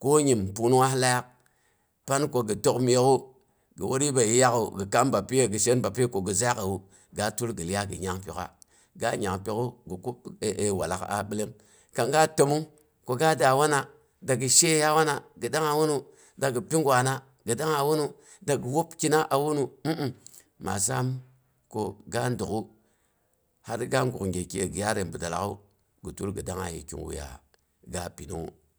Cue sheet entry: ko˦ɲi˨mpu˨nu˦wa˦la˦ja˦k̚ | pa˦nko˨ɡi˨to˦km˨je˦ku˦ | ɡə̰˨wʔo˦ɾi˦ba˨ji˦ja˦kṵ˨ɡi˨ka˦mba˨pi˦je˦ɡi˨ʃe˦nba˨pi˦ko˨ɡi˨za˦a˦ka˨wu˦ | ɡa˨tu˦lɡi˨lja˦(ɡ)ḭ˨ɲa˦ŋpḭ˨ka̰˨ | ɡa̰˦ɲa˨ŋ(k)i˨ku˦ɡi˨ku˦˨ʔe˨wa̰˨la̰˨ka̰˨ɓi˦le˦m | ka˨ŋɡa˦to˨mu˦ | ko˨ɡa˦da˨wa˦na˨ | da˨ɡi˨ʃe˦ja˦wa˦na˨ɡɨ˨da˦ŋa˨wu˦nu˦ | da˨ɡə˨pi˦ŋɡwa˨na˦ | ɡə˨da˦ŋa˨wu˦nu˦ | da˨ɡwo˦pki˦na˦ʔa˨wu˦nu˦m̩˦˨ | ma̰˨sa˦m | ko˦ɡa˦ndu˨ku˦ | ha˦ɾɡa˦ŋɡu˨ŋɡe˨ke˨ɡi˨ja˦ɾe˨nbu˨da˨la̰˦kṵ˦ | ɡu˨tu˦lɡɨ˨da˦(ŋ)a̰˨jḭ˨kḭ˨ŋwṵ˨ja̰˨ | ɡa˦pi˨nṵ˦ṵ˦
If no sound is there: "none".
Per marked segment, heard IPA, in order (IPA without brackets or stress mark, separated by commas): ɡ, p, ŋ